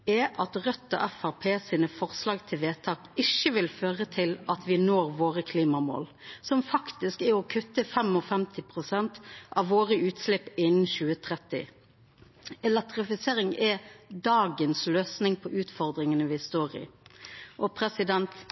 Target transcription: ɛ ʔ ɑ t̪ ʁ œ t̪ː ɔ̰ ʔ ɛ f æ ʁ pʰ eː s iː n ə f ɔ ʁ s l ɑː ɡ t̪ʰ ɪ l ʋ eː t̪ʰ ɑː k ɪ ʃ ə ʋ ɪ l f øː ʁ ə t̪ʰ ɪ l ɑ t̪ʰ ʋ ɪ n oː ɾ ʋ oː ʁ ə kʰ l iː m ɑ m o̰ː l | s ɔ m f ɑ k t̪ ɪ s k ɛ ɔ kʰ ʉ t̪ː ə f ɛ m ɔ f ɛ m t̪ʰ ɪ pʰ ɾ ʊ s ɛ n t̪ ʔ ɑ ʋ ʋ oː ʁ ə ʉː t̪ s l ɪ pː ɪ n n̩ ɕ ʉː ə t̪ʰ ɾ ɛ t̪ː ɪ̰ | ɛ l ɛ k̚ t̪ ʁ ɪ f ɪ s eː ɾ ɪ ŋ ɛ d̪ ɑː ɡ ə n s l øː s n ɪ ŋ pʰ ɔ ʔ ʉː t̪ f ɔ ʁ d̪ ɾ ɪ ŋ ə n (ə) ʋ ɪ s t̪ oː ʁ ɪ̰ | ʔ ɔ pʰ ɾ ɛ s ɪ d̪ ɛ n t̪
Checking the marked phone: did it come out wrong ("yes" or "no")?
no